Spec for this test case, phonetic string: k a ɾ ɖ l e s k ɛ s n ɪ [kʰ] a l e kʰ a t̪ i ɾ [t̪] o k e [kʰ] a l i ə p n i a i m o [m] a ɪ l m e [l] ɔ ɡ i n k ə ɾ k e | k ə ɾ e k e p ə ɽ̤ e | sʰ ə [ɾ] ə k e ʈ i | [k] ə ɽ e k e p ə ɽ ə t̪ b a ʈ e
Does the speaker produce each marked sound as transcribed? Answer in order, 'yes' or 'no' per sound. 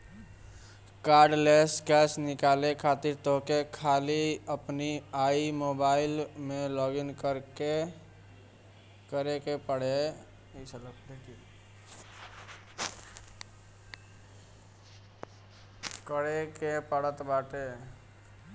no, yes, yes, no, yes, no, yes

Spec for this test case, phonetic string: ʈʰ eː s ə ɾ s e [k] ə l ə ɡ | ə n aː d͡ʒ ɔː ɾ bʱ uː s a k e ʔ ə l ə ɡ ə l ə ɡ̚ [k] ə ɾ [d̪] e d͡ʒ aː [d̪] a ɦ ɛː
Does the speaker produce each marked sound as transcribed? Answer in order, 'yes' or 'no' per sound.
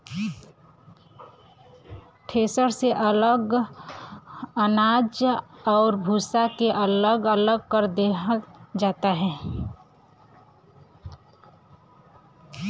no, yes, yes, no

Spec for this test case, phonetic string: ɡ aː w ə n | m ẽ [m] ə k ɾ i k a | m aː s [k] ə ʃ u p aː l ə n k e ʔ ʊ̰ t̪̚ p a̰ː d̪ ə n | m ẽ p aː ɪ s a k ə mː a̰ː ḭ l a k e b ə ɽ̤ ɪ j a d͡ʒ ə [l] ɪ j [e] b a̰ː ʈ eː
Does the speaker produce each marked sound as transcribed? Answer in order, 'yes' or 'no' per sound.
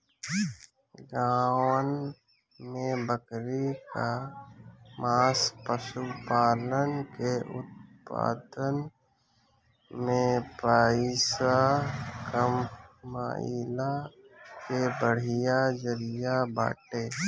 no, no, no, no

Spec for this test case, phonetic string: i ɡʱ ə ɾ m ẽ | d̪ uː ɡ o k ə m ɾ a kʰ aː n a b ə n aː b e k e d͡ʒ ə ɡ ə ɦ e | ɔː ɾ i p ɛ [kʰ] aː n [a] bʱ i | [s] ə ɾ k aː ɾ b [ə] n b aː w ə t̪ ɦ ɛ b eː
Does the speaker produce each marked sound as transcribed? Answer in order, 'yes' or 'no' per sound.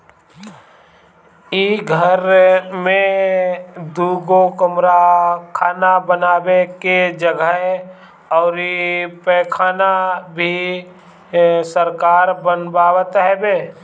yes, yes, yes, yes

